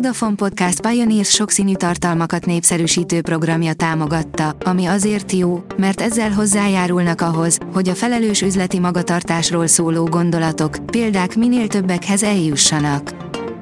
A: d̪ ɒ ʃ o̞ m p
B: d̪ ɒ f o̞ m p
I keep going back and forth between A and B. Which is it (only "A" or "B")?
B